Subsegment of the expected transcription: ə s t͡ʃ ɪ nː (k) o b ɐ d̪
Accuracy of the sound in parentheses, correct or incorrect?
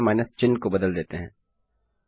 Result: correct